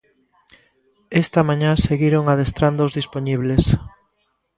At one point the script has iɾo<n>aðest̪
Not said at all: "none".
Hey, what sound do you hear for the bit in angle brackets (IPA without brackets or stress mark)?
ŋ